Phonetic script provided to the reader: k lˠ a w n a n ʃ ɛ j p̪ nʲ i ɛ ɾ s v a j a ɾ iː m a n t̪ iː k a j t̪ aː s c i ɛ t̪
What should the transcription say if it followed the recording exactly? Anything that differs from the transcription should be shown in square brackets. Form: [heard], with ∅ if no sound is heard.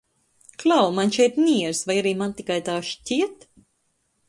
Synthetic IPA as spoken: k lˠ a w [m] a n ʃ ɛ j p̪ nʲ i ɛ ɾ s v a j a ɾ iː m a n t̪ [i] k a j t̪ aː [ʃ] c i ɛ t̪